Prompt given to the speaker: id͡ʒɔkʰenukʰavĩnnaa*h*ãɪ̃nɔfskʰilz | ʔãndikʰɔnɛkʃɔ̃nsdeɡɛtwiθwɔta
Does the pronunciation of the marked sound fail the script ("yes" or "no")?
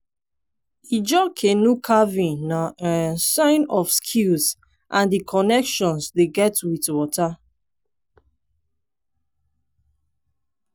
yes